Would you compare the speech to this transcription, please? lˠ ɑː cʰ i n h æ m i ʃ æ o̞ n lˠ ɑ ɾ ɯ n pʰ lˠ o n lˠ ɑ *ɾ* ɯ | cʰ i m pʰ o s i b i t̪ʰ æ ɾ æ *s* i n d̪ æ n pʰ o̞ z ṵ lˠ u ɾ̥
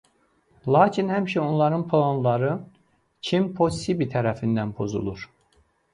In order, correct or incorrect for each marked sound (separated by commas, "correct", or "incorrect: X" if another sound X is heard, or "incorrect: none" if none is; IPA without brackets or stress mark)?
correct, incorrect: f